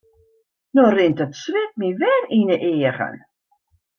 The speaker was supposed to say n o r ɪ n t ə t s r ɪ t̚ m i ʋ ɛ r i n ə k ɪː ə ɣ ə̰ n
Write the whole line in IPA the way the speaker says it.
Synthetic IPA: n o r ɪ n t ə t s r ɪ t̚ m i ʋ ɛ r i n ə ʔ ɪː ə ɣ ə̰ n